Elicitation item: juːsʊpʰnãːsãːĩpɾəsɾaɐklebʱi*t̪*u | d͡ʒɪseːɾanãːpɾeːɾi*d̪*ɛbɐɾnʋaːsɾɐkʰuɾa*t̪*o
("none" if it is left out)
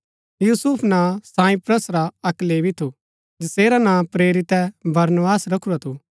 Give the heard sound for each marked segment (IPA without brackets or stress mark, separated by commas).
t̪ʰ, t̪, t̪ʰ